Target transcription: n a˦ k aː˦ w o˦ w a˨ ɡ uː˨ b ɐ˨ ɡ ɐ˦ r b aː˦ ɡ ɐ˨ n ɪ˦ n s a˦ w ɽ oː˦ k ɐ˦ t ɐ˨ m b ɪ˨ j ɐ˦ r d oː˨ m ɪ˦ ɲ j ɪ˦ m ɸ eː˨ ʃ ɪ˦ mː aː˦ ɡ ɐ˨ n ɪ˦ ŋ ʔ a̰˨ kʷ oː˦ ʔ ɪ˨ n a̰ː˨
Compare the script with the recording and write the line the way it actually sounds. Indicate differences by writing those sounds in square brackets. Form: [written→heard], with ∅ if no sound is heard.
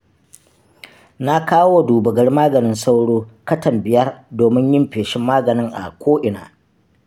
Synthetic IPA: n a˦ k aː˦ w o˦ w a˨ [ɡ→d] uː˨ b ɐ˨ ɡ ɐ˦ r [b→m] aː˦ ɡ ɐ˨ n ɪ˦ n s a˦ w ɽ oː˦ k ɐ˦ t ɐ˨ m b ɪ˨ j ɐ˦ r d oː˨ m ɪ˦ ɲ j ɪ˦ m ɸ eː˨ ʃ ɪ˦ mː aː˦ ɡ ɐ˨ n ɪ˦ ŋ ʔ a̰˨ kʷ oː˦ ʔ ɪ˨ n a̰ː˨